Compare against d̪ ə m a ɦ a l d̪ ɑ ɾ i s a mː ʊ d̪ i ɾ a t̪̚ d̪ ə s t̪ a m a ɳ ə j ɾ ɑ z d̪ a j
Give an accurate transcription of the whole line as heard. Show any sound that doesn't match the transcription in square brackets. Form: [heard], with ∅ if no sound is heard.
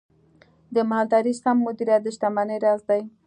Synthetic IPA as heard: d̪ ə m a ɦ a l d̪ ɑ ɾ i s a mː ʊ d̪ i ɾ a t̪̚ d̪ ə [ʃ] t̪ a m a [n] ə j ɾ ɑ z d̪ a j